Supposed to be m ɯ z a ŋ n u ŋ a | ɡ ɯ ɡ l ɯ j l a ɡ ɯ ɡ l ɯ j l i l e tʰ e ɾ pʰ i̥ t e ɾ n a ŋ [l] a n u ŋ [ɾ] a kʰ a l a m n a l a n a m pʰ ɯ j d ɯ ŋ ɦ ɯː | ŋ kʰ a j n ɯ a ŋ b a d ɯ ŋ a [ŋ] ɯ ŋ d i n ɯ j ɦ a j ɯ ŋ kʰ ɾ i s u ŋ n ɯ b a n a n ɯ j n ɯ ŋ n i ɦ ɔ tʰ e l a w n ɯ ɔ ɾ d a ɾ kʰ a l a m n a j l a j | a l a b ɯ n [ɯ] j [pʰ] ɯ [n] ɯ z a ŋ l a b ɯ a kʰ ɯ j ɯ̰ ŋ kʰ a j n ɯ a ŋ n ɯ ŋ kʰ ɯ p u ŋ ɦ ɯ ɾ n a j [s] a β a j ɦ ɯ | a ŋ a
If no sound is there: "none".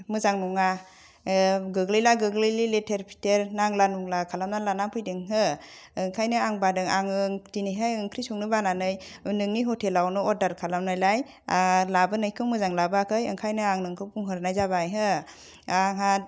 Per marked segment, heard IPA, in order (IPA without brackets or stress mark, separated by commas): l, l, ŋ, ɯ, kʰ, m, z